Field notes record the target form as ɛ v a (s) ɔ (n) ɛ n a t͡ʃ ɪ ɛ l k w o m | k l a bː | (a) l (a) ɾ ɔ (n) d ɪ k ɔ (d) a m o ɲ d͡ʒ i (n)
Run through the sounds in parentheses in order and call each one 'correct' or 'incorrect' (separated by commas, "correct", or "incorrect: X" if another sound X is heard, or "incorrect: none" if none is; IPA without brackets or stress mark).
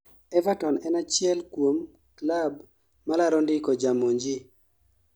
incorrect: t, correct, correct, correct, correct, incorrect: d͡ʒ, incorrect: none